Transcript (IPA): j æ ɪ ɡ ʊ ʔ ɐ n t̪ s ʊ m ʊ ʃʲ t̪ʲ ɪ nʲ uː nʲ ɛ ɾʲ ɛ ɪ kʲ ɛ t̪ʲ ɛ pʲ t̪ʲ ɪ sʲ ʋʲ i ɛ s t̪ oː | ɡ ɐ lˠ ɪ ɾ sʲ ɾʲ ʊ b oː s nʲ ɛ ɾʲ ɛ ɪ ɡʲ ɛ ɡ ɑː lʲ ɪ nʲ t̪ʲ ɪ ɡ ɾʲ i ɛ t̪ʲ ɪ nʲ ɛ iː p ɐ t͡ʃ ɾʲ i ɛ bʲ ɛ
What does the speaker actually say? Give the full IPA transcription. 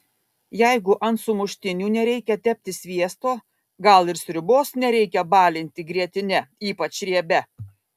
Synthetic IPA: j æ ɪ ɡ ʊ ʔ ɐ n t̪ s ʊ m ʊ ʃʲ t̪ʲ ɪ nʲ uː nʲ ɛ ɾʲ ɛ ɪ kʲ ɛ t̪ʲ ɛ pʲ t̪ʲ ɪ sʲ ʋʲ i ɛ s t̪ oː | ɡ ɐ lˠ ɪ ɾ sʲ ɾʲ ʊ b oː s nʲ ɛ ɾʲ ɛ ɪ kʲ ɛ b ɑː lʲ ɪ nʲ t̪ʲ ɪ ɡ ɾʲ i ɛ t̪ʲ ɪ nʲ ɛ iː p ɐ t͡ʃ ɾʲ i ɛ bʲ ɛ